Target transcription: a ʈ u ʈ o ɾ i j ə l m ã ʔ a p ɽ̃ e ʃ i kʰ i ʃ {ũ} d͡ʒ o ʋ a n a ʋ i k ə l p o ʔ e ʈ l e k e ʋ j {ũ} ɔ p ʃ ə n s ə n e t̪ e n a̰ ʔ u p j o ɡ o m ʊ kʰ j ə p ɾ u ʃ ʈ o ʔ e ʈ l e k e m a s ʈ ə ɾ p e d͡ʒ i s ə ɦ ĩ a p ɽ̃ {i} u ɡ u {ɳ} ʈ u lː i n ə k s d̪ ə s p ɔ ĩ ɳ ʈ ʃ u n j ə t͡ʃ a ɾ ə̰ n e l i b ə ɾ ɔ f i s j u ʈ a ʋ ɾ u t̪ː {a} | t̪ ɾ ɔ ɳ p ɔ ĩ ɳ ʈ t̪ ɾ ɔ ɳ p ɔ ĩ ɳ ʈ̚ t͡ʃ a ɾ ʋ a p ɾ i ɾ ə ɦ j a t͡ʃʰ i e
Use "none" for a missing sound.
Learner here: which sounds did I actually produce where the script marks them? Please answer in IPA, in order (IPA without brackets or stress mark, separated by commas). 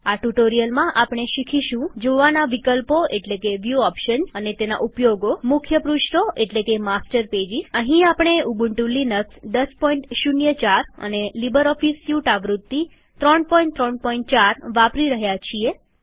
ũ, u, e, ɳ, i